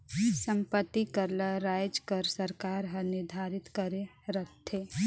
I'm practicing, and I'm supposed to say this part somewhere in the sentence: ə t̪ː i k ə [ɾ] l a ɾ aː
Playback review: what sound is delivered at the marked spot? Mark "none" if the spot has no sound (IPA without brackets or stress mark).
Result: ɾ